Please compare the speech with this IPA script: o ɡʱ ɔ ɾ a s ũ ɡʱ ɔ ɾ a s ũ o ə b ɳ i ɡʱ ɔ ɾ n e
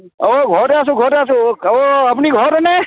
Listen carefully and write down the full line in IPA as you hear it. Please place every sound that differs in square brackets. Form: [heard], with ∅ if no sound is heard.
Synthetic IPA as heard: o ɡʱ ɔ ɾ a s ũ ɡʱ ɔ ɾ a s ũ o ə [p] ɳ i ɡʱ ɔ ɾ n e